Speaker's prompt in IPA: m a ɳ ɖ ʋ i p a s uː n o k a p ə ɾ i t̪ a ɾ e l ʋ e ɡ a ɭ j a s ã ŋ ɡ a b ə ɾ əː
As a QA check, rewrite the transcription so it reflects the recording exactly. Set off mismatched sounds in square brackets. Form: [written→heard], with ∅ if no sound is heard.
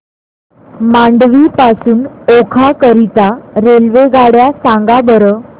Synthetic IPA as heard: m a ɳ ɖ ʋ i p a s uː n o [k→kʰ] a [p→k] ə ɾ i t̪ a ɾ e l ʋ e ɡ a [ɭ→ɽ] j a s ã ŋ ɡ a b ə ɾ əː